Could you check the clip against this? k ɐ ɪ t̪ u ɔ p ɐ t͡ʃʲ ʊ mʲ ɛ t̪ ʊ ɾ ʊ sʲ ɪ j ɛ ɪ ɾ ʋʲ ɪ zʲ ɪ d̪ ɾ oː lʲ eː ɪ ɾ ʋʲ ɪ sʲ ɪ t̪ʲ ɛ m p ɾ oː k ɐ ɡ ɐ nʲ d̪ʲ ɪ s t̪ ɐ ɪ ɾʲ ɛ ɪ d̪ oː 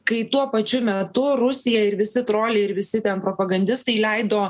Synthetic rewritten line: k ɐ ɪ t̪ u ɔ p ɐ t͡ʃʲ ʊ mʲ ɛ t̪ ʊ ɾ ʊ sʲ ɪ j ɛ ɪ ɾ ʋʲ ɪ sʲ ɪ t̪ ɾ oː lʲ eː ɪ ɾ ʋʲ ɪ sʲ ɪ t̪ʲ ɛ n p ɾ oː p ɐ ɡ ɐ nʲ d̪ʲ ɪ s t̪ ɐ ɪ lʲ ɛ ɪ d̪ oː